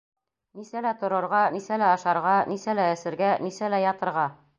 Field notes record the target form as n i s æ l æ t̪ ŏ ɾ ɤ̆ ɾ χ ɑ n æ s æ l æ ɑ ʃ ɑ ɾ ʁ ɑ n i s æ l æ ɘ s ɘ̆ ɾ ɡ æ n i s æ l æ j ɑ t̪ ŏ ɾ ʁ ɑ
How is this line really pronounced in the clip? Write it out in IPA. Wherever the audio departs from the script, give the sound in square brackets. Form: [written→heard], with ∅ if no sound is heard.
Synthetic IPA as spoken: n i s æ l æ t̪ ŏ ɾ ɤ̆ ɾ [χ→ʁ] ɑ n [æ→i] s æ l æ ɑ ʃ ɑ ɾ ʁ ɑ n i s æ l æ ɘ s ɘ̆ ɾ ɡ æ n i s æ l æ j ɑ t̪ [ŏ→ɤ̆] ɾ ʁ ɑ